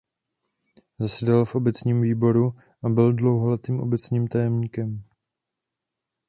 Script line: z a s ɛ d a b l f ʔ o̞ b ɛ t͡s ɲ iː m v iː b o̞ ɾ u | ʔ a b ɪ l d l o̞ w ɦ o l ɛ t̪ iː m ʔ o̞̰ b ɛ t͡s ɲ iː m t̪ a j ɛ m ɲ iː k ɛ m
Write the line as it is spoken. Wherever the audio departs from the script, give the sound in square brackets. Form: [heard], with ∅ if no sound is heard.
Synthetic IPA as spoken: z a s ɛ d a [∅] l f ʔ o̞ b ɛ t͡s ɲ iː m v iː b o̞ ɾ u | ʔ a b ɪ l d l o̞ w ɦ o l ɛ t̪ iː m ʔ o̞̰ b ɛ t͡s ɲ iː m t̪ a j ɛ m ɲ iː k ɛ m

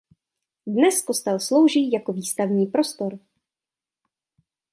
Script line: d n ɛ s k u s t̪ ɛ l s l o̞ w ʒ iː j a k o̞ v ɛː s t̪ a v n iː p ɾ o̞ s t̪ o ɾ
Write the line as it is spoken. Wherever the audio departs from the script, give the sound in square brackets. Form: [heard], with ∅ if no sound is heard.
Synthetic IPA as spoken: d n ɛ s k [o] s t̪ ɛ l s l o̞ w ʒ iː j a k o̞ v [iː] s t̪ a v [ɲ] iː p ɾ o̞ s t̪ o ɾ

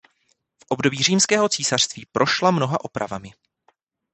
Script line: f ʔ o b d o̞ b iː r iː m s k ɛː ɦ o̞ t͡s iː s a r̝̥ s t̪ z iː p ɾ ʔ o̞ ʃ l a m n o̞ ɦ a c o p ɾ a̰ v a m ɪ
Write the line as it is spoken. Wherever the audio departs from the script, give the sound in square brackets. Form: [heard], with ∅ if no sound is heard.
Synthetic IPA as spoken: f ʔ o b d o̞ b iː r iː m s k ɛː ɦ o̞ t͡s iː s a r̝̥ s t̪ [v] iː p ɾ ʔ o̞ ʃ l a m n o̞ ɦ a [ʔ] o p ɾ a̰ v a m ɪ

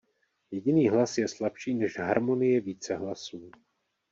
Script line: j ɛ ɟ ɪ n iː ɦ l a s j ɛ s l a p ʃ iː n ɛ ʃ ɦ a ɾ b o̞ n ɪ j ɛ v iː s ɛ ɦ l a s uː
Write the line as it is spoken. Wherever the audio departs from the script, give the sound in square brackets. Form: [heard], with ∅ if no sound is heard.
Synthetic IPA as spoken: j ɛ ɟ ɪ n iː ɦ l a s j ɛ s l a p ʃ iː n ɛ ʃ ɦ a ɾ [m] o̞ n ɪ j ɛ v iː [t͡s] ɛ ɦ l a s uː

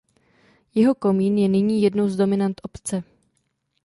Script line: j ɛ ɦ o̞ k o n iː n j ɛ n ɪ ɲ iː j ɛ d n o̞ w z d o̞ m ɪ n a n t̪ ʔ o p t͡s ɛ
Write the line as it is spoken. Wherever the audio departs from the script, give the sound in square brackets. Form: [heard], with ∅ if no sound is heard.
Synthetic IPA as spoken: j ɛ ɦ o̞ k o [m] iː n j ɛ n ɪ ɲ iː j ɛ d n o̞ w z d o̞ m ɪ n a n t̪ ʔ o p t͡s ɛ

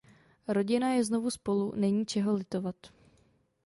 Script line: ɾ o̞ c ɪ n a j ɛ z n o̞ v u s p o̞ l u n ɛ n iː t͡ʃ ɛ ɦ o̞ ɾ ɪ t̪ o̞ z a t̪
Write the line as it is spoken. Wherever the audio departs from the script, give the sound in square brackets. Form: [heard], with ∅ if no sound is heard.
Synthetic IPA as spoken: ɾ o̞ [ɟ] ɪ n a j ɛ z n o̞ v u s p o̞ l u n ɛ [ɲ] iː t͡ʃ ɛ ɦ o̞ [l] ɪ t̪ o̞ [v] a t̪

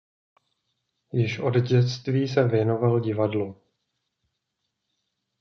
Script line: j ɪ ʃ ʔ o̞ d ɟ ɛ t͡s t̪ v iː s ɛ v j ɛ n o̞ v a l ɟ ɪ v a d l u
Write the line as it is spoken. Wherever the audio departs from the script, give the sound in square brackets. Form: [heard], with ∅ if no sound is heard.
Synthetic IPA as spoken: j ɪ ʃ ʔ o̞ d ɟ ɛ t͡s t̪ v iː s ɛ v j ɛ n o̞ v a l ɟ ɪ v a d l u

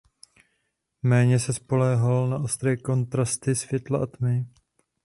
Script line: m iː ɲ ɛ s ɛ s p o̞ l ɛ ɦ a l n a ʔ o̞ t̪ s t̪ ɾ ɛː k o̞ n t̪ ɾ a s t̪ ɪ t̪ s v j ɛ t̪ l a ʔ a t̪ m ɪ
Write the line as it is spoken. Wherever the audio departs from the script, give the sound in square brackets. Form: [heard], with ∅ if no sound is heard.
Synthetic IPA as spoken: m [ɛː] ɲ ɛ s ɛ s p o̞ l ɛ ɦ a l n a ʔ o̞ [∅] s t̪ ɾ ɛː k o̞ n t̪ ɾ a s t̪ ɪ [∅] s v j ɛ t̪ l a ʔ a t̪ m ɪ

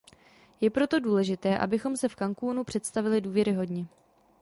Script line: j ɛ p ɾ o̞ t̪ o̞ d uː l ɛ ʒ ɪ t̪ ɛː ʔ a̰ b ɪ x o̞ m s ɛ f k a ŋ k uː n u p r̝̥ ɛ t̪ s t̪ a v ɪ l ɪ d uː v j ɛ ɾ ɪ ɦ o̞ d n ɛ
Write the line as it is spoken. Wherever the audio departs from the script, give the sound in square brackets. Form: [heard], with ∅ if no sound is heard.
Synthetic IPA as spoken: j ɛ p ɾ o̞ t̪ o̞ d uː l ɛ ʒ ɪ t̪ ɛː ʔ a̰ b ɪ x o̞ m s ɛ f k a ŋ k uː n u p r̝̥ ɛ t̪ s t̪ a v ɪ l ɪ d uː v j ɛ ɾ ɪ ɦ o̞ d [ɲ] ɛ

